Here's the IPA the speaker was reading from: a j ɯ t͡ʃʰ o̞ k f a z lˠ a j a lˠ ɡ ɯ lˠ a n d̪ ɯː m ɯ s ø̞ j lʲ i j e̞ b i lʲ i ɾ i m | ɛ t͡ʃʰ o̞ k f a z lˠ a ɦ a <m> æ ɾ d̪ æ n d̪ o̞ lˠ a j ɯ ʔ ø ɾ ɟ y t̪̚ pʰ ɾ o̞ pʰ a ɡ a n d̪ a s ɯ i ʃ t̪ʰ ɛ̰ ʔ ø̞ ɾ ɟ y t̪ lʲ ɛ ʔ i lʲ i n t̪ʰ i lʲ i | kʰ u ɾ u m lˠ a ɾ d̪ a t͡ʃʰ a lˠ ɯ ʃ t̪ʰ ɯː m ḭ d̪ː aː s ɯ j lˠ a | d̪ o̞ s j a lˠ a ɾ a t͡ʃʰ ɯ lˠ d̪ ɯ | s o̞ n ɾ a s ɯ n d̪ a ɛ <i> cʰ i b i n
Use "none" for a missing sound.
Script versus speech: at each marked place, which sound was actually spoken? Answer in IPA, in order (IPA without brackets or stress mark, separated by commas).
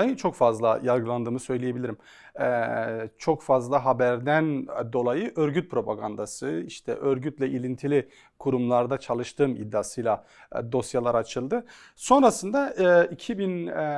b, i